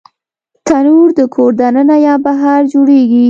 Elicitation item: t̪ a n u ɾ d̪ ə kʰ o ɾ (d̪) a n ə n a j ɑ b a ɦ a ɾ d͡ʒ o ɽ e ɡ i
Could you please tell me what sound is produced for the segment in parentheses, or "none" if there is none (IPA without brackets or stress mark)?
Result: d̪